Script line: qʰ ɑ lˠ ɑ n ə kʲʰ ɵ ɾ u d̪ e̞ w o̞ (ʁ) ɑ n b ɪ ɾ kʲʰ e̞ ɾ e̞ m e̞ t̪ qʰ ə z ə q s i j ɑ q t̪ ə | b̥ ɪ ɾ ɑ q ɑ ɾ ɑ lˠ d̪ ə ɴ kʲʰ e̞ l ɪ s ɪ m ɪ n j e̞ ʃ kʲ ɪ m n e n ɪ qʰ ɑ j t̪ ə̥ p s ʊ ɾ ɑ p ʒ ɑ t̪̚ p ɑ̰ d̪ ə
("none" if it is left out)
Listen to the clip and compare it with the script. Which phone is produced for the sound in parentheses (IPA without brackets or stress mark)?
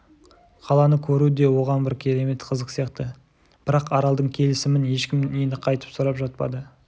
ʁ